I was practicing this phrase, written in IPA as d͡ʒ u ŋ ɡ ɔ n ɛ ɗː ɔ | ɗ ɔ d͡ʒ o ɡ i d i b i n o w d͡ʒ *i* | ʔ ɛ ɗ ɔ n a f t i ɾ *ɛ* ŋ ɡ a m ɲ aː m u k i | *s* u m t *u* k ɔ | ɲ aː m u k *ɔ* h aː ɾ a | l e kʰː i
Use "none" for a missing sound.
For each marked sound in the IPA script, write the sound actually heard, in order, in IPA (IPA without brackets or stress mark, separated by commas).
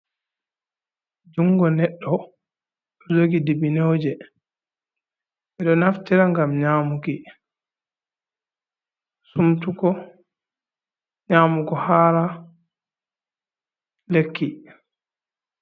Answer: ɛ, a, s, u, ɔ